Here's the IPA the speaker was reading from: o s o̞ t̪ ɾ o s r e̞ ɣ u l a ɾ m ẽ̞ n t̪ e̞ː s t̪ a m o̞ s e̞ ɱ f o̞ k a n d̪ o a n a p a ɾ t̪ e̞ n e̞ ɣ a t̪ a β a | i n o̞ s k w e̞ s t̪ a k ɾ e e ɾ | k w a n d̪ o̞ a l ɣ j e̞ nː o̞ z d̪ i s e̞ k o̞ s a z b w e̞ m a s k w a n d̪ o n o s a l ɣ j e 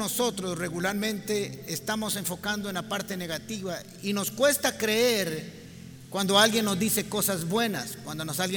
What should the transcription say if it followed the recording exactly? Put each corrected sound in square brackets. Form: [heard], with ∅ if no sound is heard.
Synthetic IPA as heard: o s o̞ t̪ ɾ o s r e̞ ɣ u l a ɾ m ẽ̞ n t̪ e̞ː s t̪ a m o̞ s e̞ ɱ f o̞ k a n d̪ o [e] n a p a ɾ t̪ e̞ n e̞ ɣ a t̪ [i] β a | i n o̞ s k w e̞ s t̪ a k ɾ e e ɾ | k w a n d̪ o̞ a l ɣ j e̞ nː o̞ z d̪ i s e̞ k o̞ s a z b w e̞ [n] a s k w a n d̪ o n o s a l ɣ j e